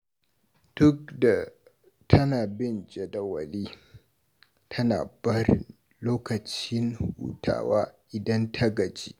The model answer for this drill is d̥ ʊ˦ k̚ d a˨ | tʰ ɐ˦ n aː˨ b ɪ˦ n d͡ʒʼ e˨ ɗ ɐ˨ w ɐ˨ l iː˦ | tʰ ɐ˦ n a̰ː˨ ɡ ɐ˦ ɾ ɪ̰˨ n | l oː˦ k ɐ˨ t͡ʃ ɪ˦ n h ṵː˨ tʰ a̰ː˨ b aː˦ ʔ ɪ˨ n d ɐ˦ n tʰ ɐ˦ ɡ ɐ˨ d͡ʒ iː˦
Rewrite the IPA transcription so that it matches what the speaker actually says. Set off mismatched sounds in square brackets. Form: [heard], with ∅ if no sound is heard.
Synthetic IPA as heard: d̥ ʊ˦ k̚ d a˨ | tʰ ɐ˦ n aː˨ b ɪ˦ n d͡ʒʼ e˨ [d] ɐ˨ w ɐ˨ l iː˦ | tʰ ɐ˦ n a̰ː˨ [b] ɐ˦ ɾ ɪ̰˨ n | l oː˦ k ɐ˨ t͡ʃ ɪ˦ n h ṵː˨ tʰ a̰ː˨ [w] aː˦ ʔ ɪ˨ [∅] d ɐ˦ n tʰ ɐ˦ ɡ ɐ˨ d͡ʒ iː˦

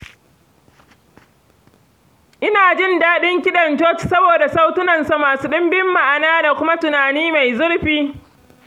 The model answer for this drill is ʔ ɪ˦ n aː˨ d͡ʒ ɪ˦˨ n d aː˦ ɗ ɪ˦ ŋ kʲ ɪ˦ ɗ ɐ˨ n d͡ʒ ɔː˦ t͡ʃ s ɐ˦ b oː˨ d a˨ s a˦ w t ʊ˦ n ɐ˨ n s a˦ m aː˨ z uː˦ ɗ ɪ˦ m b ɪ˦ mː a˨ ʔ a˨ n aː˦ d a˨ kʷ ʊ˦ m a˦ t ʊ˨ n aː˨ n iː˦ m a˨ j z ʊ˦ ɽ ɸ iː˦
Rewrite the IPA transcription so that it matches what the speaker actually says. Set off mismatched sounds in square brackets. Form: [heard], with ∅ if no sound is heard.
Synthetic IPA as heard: ʔ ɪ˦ n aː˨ d͡ʒ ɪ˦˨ n d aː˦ ɗ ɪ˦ ŋ kʲ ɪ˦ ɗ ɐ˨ n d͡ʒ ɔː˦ t͡ʃ s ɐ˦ b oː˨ d a˨ s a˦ w t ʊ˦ n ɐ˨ n s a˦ m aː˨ [s] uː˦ ɗ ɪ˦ m b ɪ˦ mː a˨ ʔ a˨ n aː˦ d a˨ kʷ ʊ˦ m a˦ t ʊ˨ n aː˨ n iː˦ m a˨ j z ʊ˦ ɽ ɸ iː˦

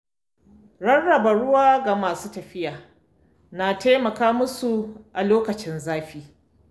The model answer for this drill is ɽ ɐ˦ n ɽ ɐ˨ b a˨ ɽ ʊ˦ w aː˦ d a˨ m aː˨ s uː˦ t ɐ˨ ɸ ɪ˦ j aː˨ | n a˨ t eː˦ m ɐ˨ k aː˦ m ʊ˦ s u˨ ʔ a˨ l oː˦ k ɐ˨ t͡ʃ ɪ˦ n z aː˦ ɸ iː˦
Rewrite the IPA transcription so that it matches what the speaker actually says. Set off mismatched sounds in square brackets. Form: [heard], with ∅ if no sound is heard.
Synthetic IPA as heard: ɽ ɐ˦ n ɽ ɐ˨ b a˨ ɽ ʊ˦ w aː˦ [ɡ] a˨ m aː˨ s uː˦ t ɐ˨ ɸ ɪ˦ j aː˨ | n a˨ t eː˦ m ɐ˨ k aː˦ m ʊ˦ s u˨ ʔ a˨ l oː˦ k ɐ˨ t͡ʃ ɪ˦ n z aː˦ ɸ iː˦

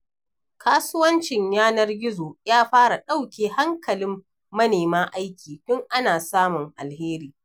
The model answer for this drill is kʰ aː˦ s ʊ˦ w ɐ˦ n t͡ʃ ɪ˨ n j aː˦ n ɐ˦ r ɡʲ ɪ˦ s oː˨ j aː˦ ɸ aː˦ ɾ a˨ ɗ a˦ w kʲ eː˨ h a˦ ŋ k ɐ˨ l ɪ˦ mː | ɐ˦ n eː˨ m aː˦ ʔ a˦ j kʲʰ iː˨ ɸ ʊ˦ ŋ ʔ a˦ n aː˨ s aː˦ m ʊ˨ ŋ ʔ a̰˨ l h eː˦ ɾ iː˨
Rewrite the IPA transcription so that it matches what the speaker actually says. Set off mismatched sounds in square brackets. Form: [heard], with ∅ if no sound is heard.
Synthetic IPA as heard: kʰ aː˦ s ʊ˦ w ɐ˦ n t͡ʃ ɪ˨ [ɲ] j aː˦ n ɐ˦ r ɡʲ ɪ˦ [z] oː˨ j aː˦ ɸ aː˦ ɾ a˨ ɗ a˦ w kʲ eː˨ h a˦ ŋ k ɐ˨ l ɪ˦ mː | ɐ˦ n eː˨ m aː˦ ʔ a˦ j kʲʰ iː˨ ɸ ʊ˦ ŋ ʔ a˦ n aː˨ s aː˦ m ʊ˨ ŋ ʔ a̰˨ l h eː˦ ɾ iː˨

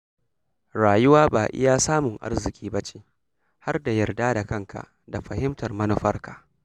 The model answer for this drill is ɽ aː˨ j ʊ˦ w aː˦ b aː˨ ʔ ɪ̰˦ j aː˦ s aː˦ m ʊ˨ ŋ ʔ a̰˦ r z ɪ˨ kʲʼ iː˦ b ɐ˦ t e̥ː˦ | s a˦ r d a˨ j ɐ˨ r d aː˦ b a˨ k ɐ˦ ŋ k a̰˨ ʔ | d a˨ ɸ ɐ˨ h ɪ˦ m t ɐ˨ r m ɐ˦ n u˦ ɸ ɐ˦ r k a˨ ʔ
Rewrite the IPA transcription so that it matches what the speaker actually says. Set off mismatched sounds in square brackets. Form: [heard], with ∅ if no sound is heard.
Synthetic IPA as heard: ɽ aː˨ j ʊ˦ w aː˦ b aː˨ ʔ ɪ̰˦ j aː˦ s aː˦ m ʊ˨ ŋ ʔ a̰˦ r z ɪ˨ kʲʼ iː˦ b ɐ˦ [t͡ʃ] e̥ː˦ | [h] a˦ r d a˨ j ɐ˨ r d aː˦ [d] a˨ k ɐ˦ ŋ k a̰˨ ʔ | d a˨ ɸ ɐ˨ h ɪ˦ m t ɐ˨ r m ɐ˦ n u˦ ɸ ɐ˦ r k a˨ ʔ

